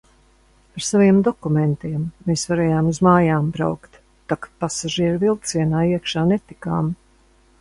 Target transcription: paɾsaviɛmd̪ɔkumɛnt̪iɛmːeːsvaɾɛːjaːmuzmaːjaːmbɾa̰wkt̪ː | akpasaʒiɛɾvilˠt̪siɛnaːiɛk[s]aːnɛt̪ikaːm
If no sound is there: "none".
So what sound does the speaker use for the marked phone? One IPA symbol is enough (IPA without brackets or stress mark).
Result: ʃ